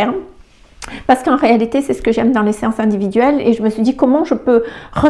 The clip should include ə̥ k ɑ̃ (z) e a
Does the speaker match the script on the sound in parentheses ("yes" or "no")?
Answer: no